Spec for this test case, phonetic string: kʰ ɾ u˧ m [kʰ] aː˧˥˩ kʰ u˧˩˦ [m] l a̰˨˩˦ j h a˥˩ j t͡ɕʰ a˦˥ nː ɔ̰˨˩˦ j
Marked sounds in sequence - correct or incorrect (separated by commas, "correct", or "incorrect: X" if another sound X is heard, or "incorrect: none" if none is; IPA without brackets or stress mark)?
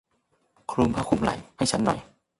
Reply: incorrect: pʰ, correct